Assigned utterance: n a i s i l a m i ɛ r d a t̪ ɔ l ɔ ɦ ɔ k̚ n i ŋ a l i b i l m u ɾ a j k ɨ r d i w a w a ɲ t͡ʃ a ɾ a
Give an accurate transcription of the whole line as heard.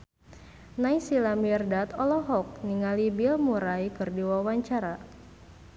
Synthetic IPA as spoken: n a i s i l a m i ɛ r d a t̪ ɔ l ɔ ɦ ɔ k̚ n i ŋ a l i b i l m u ɾ a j k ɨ r d i w a w a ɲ t͡ʃ a ɾ a